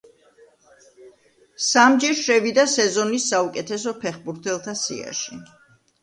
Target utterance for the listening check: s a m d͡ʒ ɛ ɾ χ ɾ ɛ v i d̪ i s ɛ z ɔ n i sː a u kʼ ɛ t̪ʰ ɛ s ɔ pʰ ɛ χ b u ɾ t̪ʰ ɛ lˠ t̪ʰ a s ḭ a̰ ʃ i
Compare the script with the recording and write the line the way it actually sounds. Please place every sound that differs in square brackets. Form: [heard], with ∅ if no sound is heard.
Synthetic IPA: s a m d͡ʒ ɛ ɾ [ʃ] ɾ ɛ v i d̪ [a] s ɛ z ɔ n i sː a u kʼ ɛ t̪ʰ ɛ s ɔ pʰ ɛ χ b u ɾ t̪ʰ ɛ lˠ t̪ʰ a s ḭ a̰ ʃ i